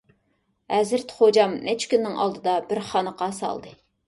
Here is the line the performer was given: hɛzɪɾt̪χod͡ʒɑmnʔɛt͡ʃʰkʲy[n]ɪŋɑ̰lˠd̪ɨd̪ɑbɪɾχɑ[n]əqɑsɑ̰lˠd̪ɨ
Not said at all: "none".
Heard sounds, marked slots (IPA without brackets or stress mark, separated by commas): nː, n